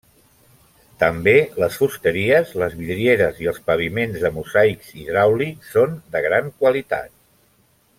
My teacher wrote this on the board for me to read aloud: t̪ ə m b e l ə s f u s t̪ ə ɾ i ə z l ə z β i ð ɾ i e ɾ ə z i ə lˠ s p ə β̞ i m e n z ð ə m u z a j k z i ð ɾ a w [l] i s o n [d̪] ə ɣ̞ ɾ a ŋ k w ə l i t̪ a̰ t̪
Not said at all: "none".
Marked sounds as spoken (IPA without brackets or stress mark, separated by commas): l, d̪